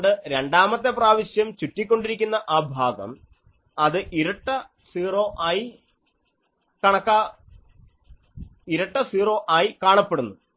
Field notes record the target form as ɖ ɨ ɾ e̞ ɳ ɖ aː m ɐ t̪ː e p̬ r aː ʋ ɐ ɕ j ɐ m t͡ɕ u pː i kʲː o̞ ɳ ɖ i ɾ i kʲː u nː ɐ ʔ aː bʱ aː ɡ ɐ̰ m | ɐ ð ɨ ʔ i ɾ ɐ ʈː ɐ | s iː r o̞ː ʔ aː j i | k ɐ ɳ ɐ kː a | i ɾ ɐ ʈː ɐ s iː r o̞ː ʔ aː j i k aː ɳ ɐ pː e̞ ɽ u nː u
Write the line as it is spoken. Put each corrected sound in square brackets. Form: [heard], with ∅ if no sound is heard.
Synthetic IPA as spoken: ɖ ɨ ɾ e̞ ɳ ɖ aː m ɐ t̪ː e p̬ r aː ʋ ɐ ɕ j ɐ m t͡ɕ u [tː] i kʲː o̞ ɳ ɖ i ɾ i kʲː u nː ɐ ʔ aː bʱ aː ɡ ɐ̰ m | ɐ ð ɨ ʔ i ɾ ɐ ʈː ɐ | s iː r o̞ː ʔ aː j i | k ɐ ɳ ɐ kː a | i ɾ ɐ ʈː ɐ s iː r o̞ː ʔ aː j i k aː ɳ ɐ pː e̞ ɽ u nː u